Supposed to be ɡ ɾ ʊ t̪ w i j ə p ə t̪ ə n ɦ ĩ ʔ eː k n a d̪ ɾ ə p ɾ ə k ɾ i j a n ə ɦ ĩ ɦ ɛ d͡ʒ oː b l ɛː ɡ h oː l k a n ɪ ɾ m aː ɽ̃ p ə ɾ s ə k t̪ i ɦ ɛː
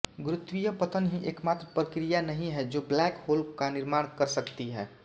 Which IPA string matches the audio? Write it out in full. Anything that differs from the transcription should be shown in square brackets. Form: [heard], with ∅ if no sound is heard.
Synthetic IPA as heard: ɡ ɾ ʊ t̪ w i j ə p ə t̪ ə n ɦ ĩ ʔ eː k [m] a [t̪] ɾ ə p ɾ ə k ɾ i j a n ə ɦ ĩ ɦ ɛ d͡ʒ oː b l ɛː [k] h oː l k a n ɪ ɾ m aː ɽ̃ [k] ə ɾ s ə k t̪ i ɦ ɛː